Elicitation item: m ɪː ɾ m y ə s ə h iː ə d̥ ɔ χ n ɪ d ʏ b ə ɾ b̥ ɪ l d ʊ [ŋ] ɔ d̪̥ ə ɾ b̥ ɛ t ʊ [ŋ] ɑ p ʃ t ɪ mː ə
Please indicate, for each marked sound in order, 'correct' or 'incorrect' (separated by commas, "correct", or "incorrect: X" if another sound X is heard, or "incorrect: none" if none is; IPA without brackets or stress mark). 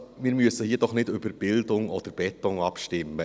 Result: correct, correct